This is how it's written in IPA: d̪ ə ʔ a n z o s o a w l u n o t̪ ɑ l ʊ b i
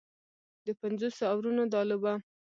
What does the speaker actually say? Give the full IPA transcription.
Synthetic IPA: d̪ ə p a n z o s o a w ɾ u n o d̪ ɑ l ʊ b a